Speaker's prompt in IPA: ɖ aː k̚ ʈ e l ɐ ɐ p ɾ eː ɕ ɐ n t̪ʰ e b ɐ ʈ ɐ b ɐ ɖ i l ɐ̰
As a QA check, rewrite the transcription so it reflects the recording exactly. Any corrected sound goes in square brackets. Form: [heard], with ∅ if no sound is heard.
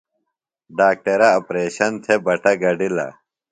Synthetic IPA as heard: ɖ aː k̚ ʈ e [ɾ] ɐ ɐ p ɾ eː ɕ ɐ n t̪ʰ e b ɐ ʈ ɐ [ɡ] ɐ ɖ i l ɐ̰

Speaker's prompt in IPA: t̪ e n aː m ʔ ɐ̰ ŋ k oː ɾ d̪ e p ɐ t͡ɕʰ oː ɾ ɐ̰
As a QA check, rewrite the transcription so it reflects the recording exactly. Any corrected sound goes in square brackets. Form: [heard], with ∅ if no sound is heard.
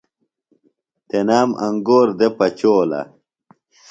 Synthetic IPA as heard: t̪ e n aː m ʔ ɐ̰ ŋ [ɡ] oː ɾ d̪ e p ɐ [t͡ɕ] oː [l] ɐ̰

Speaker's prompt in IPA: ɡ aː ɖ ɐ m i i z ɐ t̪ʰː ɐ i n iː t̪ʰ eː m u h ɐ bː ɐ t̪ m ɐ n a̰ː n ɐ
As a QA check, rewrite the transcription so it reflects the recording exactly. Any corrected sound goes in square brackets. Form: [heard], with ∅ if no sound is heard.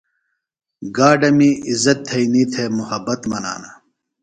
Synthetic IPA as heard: ɡ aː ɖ ɐ m i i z ɐ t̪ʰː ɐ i n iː t̪ʰ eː m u h ɐ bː ɐ t̪ m ɐ n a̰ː n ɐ

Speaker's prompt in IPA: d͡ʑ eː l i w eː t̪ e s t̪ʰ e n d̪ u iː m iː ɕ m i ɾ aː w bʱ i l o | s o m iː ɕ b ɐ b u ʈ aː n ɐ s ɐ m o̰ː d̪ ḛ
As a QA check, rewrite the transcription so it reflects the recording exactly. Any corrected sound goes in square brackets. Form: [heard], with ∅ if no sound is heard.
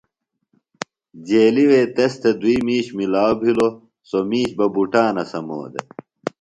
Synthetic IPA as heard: d͡ʑ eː l i w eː t̪ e s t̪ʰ e [∅] d̪ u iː m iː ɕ m i [l] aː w bʱ i l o | s o m iː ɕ b ɐ b u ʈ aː n ɐ s ɐ m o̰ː d̪ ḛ

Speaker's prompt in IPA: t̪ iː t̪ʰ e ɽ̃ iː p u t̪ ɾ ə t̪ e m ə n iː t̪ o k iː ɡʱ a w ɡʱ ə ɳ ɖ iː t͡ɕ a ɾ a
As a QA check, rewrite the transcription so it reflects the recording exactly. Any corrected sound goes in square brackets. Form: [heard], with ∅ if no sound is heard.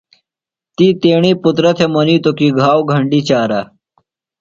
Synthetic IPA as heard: t̪ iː [t̪] e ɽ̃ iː p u t̪ ɾ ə [t̪ʰ] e m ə n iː t̪ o k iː ɡʱ a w ɡʱ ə ɳ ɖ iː t͡ɕ a ɾ a

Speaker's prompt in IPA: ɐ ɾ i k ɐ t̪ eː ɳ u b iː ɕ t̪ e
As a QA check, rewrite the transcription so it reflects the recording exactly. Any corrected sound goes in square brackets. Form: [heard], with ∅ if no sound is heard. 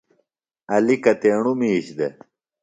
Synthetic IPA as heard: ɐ [l] i k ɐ t̪ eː ɳ u [m] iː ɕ [d̪] e

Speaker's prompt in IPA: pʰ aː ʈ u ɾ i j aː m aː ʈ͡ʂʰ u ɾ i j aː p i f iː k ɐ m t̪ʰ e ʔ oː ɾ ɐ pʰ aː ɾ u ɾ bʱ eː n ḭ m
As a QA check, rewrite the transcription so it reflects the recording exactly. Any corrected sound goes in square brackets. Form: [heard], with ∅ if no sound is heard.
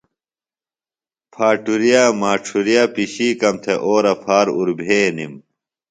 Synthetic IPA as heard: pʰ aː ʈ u ɾ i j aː m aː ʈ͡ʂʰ u ɾ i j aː p i [ɕ] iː k ɐ m t̪ʰ e ʔ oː ɾ ɐ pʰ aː ɾ u ɾ bʱ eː n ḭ m

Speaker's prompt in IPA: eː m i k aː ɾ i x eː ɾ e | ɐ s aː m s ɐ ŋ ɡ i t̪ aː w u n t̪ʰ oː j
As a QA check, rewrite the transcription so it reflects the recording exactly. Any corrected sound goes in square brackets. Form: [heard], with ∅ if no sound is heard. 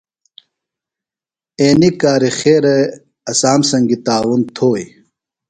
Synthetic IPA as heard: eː [n] i k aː ɾ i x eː ɾ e | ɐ s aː m s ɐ ŋ ɡ i t̪ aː w u n t̪ʰ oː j

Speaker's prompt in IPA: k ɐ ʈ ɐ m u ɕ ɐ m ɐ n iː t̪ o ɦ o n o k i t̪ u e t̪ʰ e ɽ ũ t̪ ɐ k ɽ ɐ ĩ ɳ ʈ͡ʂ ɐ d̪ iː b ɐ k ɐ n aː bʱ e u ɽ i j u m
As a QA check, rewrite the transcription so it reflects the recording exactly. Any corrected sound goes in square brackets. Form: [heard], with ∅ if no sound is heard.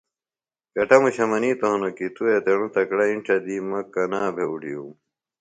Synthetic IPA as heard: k ɐ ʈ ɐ m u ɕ ɐ m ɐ n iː t̪ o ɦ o n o k i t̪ u e [t̪] e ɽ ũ t̪ ɐ k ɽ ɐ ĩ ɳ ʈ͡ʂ ɐ d̪ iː [m] ɐ k ɐ n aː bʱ e u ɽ i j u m

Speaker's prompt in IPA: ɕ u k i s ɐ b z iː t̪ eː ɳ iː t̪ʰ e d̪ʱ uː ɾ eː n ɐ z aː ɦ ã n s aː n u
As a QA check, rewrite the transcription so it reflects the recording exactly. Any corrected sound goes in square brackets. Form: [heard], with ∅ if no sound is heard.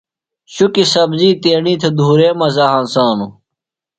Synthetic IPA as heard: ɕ u k i s ɐ b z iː t̪ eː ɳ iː t̪ʰ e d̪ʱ uː ɾ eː [m] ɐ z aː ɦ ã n s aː n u

